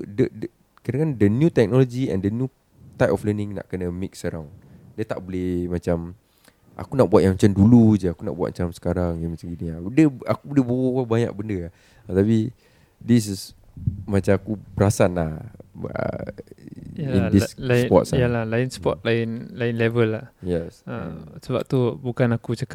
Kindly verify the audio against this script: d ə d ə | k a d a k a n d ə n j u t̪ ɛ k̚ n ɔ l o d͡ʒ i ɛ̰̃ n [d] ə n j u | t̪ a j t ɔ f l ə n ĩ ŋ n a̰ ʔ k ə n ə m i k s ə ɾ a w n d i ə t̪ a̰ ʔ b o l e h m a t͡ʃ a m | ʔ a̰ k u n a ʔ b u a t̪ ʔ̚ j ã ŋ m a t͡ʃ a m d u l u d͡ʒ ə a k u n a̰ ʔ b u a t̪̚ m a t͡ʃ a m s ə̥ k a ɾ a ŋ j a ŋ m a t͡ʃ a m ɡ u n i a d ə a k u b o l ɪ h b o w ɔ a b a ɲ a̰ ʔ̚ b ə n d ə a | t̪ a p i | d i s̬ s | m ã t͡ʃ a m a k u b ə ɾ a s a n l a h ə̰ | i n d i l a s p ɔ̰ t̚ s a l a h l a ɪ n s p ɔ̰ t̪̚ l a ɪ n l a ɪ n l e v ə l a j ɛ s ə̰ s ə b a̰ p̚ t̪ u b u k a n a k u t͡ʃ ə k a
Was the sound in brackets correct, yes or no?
yes